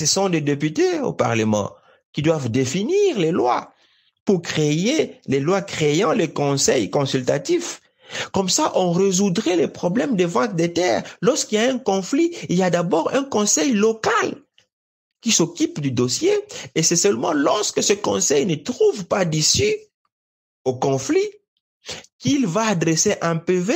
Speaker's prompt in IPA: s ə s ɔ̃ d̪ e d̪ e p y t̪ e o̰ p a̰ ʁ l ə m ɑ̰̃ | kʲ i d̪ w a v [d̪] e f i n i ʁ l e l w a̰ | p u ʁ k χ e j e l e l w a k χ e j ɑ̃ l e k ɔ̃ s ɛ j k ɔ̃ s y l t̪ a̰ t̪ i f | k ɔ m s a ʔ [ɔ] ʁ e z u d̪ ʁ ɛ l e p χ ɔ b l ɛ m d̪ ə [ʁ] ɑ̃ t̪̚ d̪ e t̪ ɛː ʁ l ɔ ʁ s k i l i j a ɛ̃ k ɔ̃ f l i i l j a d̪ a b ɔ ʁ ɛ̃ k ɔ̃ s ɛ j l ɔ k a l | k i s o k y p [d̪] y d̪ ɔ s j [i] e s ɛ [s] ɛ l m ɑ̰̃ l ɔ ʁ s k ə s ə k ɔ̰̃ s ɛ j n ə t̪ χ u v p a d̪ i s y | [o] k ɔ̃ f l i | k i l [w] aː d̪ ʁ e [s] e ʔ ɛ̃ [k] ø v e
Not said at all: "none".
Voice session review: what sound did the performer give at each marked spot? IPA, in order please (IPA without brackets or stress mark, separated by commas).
d̪, ɔ̃, v, d̪, e, s, o, v, s, p